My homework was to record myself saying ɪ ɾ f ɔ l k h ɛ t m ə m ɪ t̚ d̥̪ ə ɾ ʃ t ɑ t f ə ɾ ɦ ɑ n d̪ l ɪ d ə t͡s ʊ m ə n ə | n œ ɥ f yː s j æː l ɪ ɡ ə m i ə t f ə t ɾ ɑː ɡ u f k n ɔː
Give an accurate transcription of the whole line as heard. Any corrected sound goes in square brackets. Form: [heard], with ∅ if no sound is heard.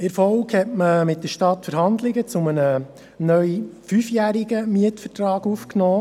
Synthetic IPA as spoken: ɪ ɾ f ɔ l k h ɛ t m ə m ɪ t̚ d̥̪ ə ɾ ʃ t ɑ t f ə ɾ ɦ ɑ n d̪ l ɪ [ɡ] ə t͡s ʊ m ə n ə | n œ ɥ f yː [f] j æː [ɾ] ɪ ɡ ə m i ə t f ə t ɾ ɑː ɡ u f k n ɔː